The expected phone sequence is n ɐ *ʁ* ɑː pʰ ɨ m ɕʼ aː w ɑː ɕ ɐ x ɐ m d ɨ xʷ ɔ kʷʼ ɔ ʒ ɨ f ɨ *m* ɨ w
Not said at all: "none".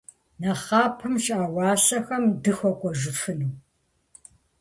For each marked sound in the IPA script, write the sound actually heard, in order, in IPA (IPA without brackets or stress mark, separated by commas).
χ, n